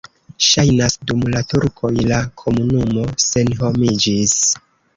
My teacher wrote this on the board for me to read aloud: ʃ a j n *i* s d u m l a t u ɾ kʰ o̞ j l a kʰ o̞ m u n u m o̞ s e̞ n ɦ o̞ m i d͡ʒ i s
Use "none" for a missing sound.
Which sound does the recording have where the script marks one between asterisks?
a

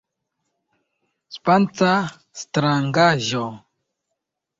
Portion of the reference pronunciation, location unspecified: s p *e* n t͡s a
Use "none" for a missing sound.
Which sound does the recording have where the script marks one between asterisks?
a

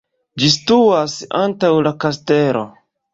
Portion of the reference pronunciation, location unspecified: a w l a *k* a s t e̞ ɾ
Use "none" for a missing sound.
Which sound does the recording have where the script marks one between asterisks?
k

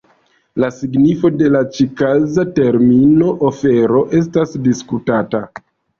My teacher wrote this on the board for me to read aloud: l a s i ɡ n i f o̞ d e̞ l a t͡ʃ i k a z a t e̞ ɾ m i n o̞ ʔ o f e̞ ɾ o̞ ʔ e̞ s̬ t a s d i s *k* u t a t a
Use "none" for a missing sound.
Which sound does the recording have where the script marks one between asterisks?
k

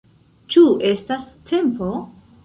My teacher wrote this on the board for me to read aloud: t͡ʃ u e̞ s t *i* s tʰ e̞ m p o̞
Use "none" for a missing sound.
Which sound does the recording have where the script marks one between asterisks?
a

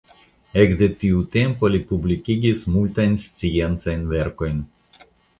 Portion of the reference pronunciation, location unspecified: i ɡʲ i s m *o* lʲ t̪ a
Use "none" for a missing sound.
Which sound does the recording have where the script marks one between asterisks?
u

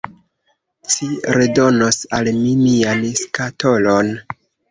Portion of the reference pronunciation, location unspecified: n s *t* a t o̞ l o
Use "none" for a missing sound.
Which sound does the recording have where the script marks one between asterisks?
k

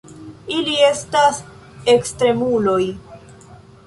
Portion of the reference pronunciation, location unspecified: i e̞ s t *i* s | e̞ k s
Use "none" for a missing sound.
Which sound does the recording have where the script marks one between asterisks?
a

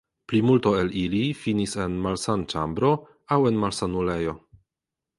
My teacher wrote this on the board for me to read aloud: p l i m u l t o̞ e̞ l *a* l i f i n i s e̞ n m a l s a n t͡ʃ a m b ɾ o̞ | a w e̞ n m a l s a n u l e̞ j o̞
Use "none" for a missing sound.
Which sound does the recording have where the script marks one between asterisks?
i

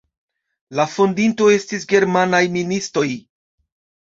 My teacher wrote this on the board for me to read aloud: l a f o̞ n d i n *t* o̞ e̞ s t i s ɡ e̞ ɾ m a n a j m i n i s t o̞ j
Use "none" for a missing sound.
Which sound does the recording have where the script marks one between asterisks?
t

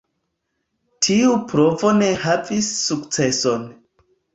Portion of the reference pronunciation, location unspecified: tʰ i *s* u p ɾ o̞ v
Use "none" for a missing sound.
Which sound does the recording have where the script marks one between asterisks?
none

